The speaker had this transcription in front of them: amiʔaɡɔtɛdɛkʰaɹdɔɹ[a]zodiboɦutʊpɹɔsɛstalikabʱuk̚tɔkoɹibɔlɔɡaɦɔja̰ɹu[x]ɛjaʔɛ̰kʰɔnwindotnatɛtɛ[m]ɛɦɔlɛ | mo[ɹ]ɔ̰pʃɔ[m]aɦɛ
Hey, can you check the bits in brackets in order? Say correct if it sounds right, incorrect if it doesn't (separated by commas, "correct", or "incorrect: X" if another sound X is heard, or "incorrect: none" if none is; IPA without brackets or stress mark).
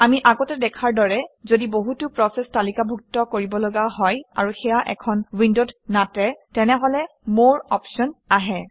incorrect: ɛ, correct, incorrect: n, correct, incorrect: n